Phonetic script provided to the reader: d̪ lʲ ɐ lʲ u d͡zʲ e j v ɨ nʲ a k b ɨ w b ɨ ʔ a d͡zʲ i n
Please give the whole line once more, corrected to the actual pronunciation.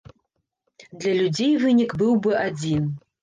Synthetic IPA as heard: d̪ lʲ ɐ lʲ u d͡zʲ e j v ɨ nʲ i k b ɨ w b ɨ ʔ a d͡zʲ i n